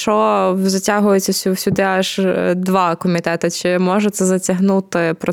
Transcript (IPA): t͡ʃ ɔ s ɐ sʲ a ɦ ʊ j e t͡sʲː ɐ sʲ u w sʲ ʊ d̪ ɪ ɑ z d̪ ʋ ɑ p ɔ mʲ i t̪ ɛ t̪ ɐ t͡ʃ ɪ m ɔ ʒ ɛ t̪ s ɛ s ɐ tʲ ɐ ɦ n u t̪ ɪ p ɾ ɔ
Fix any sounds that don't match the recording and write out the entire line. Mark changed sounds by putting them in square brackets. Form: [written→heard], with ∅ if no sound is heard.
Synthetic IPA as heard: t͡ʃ ɔ [s→z] ɐ [sʲ→tʲ] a ɦ ʊ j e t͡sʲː ɐ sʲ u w sʲ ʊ d̪ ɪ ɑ [z→ʒ] d̪ ʋ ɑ [p→k] ɔ mʲ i t̪ ɛ t̪ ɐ t͡ʃ ɪ m ɔ ʒ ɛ t̪ s ɛ [s→z] ɐ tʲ ɐ ɦ n u t̪ ɪ p ɾ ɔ